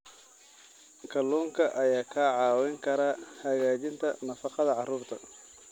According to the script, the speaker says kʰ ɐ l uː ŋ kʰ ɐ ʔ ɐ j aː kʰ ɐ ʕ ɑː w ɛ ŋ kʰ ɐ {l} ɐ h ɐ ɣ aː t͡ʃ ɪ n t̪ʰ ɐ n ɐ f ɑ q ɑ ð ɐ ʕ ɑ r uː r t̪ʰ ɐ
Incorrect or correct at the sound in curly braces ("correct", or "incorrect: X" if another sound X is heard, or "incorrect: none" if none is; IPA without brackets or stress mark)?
incorrect: ɾ